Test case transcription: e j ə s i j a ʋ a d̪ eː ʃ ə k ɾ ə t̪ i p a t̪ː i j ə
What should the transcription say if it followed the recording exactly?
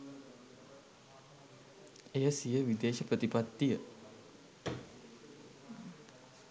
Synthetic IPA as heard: e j ə s i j ə ʋ i d̪ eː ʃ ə p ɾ ə t̪ i p a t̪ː i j ə